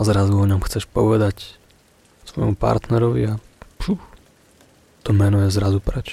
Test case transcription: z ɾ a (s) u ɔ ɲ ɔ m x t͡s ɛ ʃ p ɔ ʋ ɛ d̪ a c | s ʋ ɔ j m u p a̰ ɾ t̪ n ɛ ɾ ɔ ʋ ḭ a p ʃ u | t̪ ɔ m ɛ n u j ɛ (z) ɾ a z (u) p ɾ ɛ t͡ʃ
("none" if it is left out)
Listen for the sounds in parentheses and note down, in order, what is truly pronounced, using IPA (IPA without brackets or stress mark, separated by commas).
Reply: z, z, u